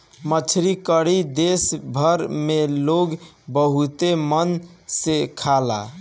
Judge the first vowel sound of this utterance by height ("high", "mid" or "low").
mid